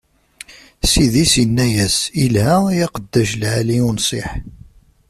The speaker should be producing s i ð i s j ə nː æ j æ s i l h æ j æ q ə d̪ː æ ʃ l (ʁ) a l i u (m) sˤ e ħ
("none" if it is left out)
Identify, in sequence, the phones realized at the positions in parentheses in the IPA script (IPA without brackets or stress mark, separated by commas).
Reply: ʕ, n